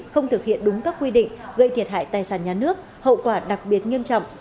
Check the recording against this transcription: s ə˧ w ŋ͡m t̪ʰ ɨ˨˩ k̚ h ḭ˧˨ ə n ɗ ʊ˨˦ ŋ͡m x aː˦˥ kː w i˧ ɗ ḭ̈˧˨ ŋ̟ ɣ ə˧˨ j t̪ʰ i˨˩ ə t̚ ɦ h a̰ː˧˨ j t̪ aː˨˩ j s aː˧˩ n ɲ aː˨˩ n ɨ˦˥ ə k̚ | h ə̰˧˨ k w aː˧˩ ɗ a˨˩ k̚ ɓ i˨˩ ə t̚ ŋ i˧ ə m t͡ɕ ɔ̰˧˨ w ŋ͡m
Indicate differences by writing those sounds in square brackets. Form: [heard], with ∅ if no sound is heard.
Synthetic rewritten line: [x] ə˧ w ŋ͡m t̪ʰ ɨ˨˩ k̚ h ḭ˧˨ ə n ɗ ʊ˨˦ ŋ͡m [k] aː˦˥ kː w i˧ ɗ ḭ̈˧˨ ŋ̟ ɣ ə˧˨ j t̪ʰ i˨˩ ə t̚ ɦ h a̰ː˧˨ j t̪ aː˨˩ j s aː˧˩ n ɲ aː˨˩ n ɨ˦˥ ə k̚ | h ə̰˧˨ k w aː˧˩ ɗ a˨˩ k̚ ɓ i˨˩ ə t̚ ŋ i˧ ə m t͡ɕ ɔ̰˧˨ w ŋ͡m